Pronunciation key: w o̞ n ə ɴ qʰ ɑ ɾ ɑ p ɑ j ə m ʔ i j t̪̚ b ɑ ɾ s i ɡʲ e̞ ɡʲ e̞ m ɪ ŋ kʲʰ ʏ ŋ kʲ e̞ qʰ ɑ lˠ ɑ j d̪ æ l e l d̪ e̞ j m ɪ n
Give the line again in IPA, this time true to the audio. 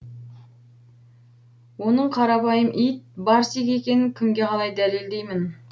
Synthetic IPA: w o̞ n ə ɴ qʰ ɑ ɾ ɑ p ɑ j ə m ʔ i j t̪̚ b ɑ ɾ s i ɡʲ e̞ kʲ e̞ n ɪ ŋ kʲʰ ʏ ŋ ɡʲ e̞ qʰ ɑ lˠ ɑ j d̪ æ l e l d̪ e̞ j m ɪ n

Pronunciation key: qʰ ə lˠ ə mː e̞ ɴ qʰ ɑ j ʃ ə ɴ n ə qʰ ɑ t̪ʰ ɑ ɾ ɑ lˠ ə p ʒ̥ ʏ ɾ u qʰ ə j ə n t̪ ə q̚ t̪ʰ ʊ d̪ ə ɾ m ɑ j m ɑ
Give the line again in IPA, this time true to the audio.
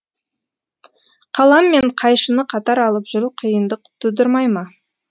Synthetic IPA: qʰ ɑ lˠ ɑ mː e̞ ɴ qʰ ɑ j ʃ ə n ə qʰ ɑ t̪ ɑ ɾ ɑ lˠ ə p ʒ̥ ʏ ɾ u qʰ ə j ə n d̪ ə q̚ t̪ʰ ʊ d̪ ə ɾ m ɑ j m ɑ

